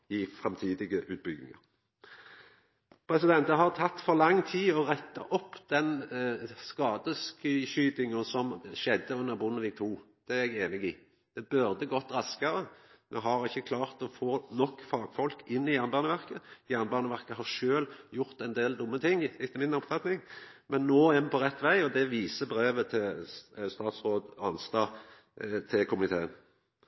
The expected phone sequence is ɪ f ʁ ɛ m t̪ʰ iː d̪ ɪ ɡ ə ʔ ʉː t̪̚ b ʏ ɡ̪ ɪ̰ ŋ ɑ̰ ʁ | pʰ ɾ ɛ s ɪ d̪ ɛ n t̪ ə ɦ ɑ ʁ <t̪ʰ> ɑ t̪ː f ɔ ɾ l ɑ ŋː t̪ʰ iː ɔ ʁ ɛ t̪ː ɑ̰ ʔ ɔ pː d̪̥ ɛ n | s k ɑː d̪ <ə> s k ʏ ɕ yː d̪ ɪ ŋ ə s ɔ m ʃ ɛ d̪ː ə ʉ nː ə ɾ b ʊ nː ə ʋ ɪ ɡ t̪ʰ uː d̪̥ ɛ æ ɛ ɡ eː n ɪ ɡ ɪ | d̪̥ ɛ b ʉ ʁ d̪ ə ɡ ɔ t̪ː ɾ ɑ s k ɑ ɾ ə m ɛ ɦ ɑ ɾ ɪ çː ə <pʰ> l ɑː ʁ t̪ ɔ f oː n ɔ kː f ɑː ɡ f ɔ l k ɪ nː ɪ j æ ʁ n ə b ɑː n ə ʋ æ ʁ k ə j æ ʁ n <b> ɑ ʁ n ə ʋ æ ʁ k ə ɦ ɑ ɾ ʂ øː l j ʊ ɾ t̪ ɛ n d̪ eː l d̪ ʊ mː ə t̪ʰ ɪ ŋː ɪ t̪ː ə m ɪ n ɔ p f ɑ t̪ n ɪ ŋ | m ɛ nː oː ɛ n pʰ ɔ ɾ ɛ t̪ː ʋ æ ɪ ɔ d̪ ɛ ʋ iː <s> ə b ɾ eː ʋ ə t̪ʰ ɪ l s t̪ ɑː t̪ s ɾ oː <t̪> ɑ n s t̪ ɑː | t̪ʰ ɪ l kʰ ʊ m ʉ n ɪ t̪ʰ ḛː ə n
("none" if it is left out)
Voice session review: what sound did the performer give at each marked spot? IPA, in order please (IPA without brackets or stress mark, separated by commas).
t̪ʰ, ə, kʰ, b, s, d̪